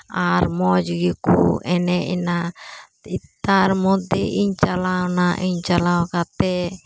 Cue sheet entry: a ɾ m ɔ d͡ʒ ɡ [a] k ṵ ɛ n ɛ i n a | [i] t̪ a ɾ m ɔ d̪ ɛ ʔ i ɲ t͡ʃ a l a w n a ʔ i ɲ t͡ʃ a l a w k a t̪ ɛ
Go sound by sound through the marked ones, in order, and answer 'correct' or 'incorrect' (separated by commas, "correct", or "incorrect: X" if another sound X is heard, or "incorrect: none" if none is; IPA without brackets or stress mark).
incorrect: i, correct